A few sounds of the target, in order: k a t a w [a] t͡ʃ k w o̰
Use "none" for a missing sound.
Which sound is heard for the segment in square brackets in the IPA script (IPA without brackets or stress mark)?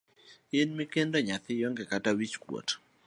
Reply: i